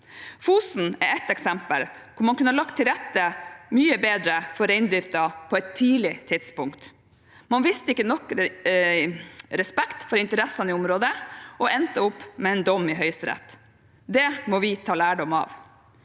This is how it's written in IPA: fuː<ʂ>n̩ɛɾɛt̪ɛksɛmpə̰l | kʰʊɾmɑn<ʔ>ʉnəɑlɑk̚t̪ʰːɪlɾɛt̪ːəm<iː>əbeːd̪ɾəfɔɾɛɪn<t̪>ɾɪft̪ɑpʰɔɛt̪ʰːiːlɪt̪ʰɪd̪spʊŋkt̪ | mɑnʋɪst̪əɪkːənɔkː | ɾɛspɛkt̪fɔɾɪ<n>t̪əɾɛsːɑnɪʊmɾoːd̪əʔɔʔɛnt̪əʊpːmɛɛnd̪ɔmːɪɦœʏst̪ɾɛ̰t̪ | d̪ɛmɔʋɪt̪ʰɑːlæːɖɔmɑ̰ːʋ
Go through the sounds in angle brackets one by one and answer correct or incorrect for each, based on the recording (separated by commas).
incorrect, incorrect, incorrect, incorrect, correct